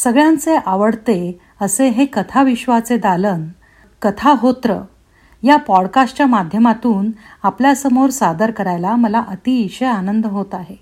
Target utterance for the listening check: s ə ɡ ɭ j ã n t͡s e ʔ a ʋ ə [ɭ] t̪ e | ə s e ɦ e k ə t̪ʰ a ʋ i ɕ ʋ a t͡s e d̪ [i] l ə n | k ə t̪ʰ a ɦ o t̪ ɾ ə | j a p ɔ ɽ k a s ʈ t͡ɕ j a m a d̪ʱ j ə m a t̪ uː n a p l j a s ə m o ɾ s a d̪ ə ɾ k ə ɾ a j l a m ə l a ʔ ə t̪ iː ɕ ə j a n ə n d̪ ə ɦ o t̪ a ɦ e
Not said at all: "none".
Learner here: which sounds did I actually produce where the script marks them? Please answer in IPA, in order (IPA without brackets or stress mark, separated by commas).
ɽ, a